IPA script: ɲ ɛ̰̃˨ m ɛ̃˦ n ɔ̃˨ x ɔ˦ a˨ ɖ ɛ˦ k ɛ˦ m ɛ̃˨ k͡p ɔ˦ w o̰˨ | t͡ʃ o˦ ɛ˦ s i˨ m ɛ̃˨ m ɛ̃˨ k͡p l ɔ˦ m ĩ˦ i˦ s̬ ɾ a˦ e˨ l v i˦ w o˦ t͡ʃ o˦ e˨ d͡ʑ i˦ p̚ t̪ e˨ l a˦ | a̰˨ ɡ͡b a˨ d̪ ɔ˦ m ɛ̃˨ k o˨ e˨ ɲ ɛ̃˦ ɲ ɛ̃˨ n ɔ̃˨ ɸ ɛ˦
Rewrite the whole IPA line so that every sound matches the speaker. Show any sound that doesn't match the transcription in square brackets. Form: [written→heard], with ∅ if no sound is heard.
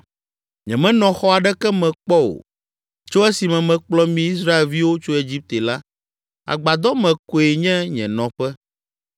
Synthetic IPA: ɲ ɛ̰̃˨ m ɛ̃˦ n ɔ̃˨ x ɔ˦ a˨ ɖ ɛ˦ k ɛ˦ m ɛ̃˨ k͡p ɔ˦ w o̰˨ | t͡ʃ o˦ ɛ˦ s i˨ m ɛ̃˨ m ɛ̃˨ k͡p l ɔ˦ m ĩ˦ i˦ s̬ ɾ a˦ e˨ l v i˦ w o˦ t͡ʃ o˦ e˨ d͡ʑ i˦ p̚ t̪ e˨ l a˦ | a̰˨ ɡ͡b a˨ d̪ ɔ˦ m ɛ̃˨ k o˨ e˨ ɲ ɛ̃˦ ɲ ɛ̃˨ n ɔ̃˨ ɸ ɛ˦